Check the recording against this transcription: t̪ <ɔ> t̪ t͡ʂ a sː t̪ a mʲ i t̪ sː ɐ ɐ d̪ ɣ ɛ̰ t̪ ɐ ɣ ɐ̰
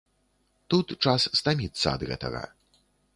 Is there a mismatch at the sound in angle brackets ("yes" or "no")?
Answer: yes